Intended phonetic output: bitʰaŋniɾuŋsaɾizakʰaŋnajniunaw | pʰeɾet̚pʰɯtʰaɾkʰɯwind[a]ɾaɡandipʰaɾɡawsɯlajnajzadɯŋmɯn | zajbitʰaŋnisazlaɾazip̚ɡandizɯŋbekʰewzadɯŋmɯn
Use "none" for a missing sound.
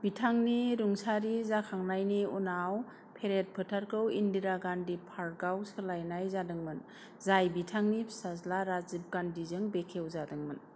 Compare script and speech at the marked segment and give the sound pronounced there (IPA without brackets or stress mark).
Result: i